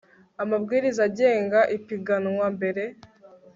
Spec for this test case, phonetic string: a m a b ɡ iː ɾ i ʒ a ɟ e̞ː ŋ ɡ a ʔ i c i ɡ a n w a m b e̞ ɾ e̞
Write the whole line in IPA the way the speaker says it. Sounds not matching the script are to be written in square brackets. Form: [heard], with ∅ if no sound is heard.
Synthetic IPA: a m a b ɡ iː ɾ i [z] a ɟ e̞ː ŋ ɡ a ʔ i [p] i ɡ a n w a m b e̞ ɾ e̞